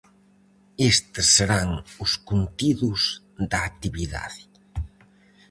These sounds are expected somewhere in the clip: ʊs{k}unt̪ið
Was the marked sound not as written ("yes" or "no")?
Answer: no